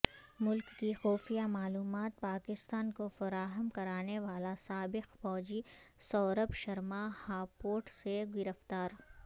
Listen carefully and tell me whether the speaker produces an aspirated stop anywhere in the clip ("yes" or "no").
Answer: no